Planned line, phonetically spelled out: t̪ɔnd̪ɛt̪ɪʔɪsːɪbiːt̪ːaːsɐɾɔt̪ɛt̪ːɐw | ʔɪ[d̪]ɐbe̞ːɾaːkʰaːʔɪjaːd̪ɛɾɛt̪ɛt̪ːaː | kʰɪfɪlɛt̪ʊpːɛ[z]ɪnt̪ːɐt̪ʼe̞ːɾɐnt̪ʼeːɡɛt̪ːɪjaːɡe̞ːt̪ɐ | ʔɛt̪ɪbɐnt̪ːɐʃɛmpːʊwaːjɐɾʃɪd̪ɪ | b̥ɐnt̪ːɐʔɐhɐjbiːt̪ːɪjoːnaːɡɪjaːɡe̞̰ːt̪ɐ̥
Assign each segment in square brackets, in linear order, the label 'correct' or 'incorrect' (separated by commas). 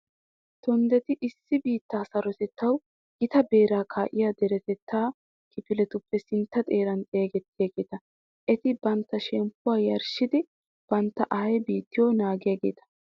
incorrect, incorrect